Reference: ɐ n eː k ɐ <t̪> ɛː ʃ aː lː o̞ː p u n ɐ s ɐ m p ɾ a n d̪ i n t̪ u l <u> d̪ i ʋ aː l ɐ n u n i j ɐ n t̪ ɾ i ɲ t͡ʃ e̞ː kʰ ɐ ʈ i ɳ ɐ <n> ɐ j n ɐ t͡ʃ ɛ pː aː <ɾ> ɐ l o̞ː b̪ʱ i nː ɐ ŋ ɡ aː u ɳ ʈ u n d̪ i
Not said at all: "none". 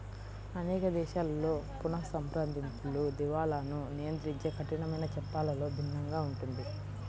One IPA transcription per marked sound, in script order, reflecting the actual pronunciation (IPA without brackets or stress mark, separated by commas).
d̪, u, m, l